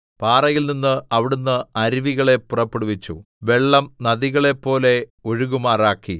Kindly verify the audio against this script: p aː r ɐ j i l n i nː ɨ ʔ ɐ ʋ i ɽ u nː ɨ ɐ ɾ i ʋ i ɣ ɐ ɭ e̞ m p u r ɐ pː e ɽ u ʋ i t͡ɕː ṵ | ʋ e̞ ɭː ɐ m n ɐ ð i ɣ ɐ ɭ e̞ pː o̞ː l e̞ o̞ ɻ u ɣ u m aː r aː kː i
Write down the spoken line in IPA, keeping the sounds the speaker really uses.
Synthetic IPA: p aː r ɐ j i l n i nː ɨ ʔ ɐ ʋ i ɽ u nː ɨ ɐ ɾ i ʋ i ɣ ɐ ɭ e̞ p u r ɐ pː e ɽ u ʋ i t͡ɕː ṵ | ʋ e̞ ɭː ɐ m n ɐ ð i ɣ ɐ ɭ e̞ pː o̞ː l e̞ o̞ ɻ u ɣ u m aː r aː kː i